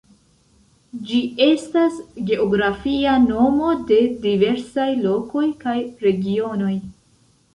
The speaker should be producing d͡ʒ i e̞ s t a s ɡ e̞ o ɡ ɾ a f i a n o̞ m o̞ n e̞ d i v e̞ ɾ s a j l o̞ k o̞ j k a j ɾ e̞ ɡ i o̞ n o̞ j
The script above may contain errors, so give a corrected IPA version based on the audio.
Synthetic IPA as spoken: d͡ʒ i e̞ s t a s ɡ e̞ o ɡ ɾ a f i a n o̞ m o̞ d e̞ d i v e̞ ɾ s a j l o̞ k o̞ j k a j ɾ e̞ ɡ i o̞ n o̞ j